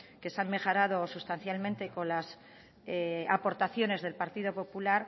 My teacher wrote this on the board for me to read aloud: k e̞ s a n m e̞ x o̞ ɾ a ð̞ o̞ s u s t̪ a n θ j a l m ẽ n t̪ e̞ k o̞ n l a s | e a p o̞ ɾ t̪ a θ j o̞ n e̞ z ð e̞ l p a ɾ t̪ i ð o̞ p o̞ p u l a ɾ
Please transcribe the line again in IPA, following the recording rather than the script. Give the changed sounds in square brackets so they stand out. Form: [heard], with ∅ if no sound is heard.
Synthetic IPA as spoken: k e̞ s a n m e̞ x o̞ ɾ a ð̞ o̞ s u s t̪ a n θ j a l m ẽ n t̪ e̞ k o̞ n l a s | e a p o̞ ɾ t̪ a θ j o̞ n e̞ z ð e̞ l p a ɾ t̪ i ð o̞ p o̞ p u l a ɾ